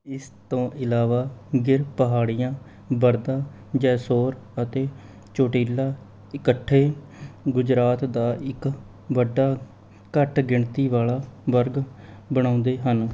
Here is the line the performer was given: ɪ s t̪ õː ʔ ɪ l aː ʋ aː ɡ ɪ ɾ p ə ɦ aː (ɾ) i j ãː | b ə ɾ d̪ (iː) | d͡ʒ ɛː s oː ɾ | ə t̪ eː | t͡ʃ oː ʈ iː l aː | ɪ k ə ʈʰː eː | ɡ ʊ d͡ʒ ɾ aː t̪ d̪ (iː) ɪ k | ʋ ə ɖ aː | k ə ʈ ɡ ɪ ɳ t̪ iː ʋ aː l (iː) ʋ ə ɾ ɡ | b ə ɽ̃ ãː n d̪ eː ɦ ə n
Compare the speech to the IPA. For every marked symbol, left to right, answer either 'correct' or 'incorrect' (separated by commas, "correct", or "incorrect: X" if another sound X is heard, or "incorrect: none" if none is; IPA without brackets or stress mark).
incorrect: ɽ, incorrect: aː, incorrect: aː, incorrect: aː